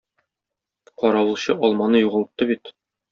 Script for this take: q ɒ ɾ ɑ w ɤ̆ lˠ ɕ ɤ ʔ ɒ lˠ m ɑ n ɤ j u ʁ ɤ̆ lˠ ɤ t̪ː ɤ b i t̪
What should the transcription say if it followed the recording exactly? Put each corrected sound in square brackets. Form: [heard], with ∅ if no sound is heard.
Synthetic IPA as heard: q ɒ ɾ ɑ w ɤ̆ lˠ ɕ ɤ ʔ ɒ lˠ m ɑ n ɤ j u ʁ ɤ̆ lˠ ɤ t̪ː ɤ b i t̪

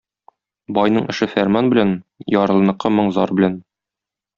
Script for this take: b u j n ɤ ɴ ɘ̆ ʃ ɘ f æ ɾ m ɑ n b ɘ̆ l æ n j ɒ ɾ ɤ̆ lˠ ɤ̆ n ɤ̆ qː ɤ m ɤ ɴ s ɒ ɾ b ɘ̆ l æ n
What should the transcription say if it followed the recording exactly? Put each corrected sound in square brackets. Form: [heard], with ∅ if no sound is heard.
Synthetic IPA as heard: b [ɒ] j n ɤ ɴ ɘ̆ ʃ ɘ f æ ɾ m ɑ n b ɘ̆ l æ n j ɒ ɾ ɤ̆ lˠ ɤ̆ n ɤ̆ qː ɤ m ɤ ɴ [z] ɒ ɾ b ɘ̆ l æ n

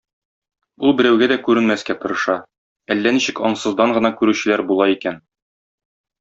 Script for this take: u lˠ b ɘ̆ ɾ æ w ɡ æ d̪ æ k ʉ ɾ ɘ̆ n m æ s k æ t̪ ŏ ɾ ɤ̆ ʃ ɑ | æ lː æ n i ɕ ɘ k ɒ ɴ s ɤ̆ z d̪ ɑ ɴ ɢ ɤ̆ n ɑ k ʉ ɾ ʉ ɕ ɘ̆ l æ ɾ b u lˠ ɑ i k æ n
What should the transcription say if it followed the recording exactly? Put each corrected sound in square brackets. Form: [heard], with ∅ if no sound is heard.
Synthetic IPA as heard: u lˠ b ɘ̆ ɾ æ w ɡ æ d̪ æ k ʉ ɾ ɘ̆ n m æ s k æ t̪ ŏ ɾ ɤ̆ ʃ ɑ | æ lː æ n i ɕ ɘ k ɒ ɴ s ɤ̆ z d̪ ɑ ɴ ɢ ɤ̆ n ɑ k ʉ ɾ ʉ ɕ ɘ̆ l æ ɾ b u lˠ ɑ i k æ n

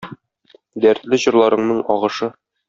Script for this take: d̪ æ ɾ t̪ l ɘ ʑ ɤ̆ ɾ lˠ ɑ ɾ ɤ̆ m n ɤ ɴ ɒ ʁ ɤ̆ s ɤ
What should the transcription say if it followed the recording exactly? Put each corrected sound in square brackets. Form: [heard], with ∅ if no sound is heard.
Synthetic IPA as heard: d̪ æ ɾ t̪ l ɘ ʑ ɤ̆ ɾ lˠ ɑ ɾ ɤ̆ [ɴ] n ɤ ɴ ɒ ʁ ɤ̆ [ʃ] ɤ

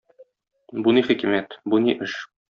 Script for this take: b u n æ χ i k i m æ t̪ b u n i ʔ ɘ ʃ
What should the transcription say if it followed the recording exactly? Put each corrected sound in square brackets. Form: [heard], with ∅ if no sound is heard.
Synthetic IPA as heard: b u n [i] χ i k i m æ t̪ b u n i ʔ ɘ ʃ

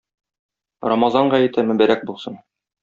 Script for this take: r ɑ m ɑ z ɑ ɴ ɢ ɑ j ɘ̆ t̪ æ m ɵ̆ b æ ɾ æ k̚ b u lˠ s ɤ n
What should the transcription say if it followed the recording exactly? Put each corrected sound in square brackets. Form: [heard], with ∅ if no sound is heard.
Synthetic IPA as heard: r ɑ m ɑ z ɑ ɴ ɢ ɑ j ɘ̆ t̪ æ m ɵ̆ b æ ɾ æ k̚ b u lˠ s ɤ n

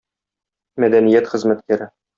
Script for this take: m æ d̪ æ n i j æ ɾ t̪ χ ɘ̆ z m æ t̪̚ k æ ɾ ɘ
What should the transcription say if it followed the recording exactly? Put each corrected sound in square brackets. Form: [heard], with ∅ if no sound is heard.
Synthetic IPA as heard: m æ d̪ æ n i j æ [∅] t̪ χ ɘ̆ z m æ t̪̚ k æ ɾ ɘ

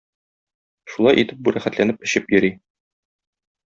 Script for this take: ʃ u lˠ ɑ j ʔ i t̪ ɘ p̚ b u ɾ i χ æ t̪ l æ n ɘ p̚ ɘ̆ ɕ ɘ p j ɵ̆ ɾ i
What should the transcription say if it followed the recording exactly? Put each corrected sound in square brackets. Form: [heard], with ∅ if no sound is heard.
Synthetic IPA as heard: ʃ u lˠ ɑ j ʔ i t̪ ɘ p̚ b u ɾ [æ] χ æ t̪ l æ n ɘ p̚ ɘ̆ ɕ ɘ p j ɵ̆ ɾ i

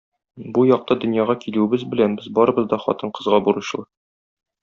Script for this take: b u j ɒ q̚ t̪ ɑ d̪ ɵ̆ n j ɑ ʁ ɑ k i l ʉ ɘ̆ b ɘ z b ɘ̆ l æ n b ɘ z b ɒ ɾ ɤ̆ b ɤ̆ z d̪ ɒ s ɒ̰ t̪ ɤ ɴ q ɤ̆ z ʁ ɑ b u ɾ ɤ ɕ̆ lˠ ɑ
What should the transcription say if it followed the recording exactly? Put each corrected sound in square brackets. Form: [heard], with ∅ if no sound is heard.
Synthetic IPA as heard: b u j ɒ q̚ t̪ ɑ d̪ ɵ̆ n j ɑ ʁ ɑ k i l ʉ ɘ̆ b ɘ z b ɘ̆ l æ n b ɘ z b ɒ ɾ ɤ̆ b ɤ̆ z d̪ ɒ [χ] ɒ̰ t̪ ɤ ɴ q ɤ̆ z ʁ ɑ b u ɾ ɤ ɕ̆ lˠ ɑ

